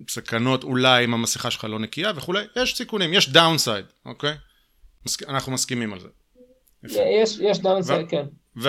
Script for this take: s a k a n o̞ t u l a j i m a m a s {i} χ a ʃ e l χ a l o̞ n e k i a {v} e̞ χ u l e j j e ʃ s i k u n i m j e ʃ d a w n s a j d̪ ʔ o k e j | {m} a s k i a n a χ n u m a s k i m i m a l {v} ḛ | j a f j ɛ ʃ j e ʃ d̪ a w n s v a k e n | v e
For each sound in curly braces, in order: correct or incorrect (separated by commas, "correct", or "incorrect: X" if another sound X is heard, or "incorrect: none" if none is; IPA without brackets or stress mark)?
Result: correct, correct, correct, incorrect: z